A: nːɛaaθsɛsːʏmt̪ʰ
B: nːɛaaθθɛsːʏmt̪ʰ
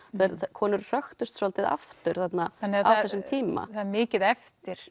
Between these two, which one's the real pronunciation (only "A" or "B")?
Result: B